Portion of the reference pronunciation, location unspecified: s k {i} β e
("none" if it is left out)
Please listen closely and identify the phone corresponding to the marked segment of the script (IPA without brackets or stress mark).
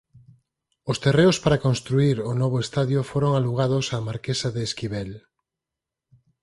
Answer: i